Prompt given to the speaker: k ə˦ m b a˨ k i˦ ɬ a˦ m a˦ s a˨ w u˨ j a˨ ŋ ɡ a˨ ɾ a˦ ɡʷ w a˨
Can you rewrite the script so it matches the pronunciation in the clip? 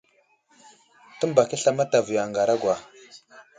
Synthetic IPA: t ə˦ m b a˨ k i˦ ɬ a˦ m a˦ t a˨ v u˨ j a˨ ŋ ɡ a˨ ɾ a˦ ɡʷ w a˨